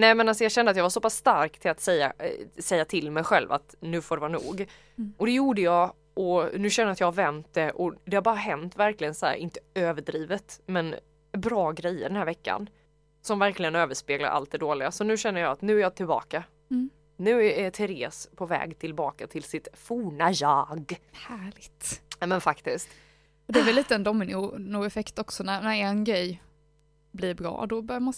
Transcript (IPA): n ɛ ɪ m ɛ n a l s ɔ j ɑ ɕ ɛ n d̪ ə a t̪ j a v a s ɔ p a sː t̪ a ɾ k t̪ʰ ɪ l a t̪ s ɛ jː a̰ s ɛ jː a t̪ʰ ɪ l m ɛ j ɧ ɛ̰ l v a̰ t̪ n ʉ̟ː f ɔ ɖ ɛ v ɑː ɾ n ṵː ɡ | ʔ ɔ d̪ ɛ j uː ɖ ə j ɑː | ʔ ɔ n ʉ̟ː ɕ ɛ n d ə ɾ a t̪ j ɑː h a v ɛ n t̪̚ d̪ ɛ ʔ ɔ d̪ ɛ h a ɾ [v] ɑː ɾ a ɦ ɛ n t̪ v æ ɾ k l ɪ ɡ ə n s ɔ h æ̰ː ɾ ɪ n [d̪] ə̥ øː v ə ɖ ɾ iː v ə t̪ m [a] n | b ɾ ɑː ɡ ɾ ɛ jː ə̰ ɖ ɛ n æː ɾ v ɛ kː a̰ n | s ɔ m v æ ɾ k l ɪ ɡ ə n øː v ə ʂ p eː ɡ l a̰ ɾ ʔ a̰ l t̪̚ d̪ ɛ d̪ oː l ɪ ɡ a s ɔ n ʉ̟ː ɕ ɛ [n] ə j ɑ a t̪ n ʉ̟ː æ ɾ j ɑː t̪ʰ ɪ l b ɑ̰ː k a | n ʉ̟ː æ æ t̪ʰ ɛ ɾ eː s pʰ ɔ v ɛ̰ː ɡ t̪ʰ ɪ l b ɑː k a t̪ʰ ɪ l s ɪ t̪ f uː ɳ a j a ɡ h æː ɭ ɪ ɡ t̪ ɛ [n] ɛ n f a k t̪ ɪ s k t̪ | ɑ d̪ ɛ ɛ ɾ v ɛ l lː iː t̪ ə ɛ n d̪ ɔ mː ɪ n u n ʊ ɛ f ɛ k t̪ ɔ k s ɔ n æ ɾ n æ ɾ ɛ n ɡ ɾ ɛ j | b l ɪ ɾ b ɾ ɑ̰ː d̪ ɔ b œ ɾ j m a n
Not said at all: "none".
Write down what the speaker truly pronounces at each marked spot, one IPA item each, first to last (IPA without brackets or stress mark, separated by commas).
b, t̪, ɛ, nː, m